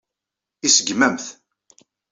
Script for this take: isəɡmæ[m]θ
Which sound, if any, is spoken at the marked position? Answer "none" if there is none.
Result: m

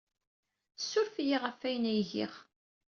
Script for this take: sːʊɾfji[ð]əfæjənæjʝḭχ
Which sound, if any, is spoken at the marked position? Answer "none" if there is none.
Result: ʁ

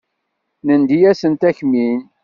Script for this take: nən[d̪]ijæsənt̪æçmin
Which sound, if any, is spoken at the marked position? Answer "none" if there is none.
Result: d̪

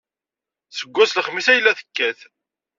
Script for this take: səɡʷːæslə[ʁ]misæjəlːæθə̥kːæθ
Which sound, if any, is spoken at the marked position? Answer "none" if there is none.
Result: χ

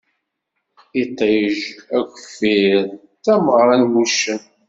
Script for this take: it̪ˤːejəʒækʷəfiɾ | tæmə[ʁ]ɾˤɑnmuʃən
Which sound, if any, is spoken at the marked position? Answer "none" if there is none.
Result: ʁ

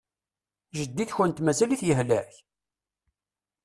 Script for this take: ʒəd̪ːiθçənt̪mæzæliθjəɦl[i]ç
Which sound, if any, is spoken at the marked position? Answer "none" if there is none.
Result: æ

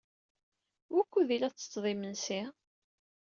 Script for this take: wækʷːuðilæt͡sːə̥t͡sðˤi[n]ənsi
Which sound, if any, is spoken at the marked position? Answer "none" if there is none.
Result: m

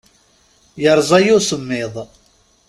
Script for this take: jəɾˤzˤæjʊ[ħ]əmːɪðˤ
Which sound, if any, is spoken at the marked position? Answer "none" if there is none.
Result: s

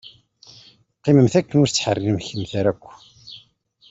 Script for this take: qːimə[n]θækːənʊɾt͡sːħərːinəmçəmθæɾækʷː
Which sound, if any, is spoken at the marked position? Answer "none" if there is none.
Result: m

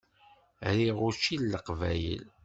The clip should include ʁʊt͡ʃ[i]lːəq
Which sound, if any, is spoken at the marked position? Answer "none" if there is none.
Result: i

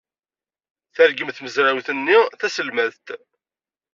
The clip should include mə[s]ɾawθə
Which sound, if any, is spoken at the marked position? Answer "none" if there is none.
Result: z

